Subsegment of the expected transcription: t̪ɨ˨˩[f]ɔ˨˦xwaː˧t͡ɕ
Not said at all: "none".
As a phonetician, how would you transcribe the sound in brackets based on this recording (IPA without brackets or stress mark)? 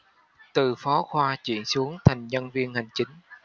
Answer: f